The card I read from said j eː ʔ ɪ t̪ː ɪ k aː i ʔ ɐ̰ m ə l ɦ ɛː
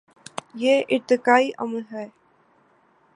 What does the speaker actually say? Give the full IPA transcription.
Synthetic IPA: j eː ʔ ɪ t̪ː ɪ k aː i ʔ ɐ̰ m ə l ɦ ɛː